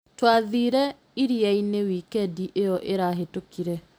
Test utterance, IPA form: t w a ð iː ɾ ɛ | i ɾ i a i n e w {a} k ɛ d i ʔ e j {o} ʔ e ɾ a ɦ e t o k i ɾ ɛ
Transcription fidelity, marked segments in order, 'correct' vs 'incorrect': incorrect, incorrect

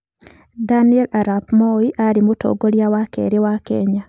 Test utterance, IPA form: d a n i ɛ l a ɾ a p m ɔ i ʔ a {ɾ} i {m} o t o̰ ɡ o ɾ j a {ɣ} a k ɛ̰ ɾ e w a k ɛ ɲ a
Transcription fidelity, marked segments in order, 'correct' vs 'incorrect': correct, correct, incorrect

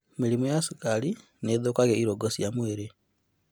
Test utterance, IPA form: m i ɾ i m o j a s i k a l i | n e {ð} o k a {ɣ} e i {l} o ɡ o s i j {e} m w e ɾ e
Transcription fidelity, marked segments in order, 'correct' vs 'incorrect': correct, correct, incorrect, incorrect

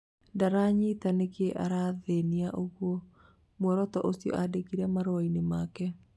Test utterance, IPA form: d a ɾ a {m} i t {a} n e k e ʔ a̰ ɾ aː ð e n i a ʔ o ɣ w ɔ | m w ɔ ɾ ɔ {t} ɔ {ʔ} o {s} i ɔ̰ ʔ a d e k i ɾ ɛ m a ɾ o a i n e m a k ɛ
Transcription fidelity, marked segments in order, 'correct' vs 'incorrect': incorrect, correct, correct, correct, correct

